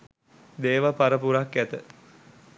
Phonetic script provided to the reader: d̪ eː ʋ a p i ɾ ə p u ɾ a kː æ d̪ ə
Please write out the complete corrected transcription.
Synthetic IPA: d̪ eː ʋ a p a ɾ ə p u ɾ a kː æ t̪ ə